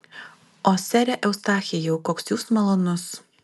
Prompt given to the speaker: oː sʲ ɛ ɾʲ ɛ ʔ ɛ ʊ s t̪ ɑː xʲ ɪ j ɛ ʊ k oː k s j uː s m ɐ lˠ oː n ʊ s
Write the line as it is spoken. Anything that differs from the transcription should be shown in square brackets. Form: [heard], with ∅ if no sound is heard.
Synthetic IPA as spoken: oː sʲ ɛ ɾʲ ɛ ʔ ɛ ʊ s t̪ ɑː xʲ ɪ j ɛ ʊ k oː k s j uː s m ɐ lˠ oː n ʊ s